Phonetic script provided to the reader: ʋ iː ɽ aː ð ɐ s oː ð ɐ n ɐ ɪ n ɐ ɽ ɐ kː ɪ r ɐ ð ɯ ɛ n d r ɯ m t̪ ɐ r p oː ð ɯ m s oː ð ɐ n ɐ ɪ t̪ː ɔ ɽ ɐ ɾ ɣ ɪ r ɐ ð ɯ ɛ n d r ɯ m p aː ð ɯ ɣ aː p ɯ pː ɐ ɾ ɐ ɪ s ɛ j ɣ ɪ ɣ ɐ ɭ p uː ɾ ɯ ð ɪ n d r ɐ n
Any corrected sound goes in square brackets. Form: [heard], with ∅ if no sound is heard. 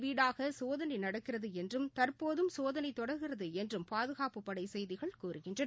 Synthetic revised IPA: ʋ iː ɽ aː [ɣ] ɐ s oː ð ɐ n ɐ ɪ n ɐ ɽ ɐ kː ɪ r ɐ ð ɯ ɛ n d r ɯ m t̪ ɐ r p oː ð ɯ m s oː ð ɐ n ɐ ɪ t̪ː ɔ ɽ ɐ ɾ ɣ ɪ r ɐ ð ɯ ɛ n d r ɯ m p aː ð ɯ ɣ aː p ɯ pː ɐ [ɽ] ɐ ɪ s ɛ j [ð] ɪ ɣ ɐ ɭ [k] uː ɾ ɯ [ɣ] ɪ n d r ɐ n